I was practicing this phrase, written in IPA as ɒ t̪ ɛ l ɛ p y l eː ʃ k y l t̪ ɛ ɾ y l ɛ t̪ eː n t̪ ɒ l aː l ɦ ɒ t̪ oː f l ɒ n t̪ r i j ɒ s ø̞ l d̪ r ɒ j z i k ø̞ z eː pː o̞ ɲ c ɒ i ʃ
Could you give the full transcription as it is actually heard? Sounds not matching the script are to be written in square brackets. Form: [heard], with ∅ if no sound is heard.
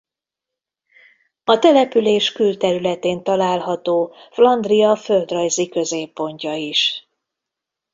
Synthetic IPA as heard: ɒ t̪ ɛ l ɛ p y l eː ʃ k y l t̪ ɛ ɾ y l ɛ t̪ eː n t̪ ɒ l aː l ɦ ɒ t̪ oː f l ɒ n [d̪] r i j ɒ [f] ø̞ l d̪ r ɒ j z i k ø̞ z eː pː o̞ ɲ c ɒ i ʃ